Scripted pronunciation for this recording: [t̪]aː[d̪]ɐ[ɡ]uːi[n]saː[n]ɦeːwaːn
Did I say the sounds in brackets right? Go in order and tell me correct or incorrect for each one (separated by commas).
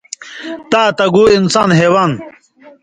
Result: correct, incorrect, correct, correct, correct